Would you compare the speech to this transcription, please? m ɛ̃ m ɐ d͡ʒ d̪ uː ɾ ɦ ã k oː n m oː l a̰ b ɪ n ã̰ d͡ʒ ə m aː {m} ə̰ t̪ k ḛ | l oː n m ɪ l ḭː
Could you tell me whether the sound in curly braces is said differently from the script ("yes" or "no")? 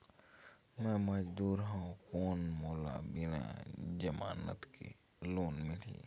yes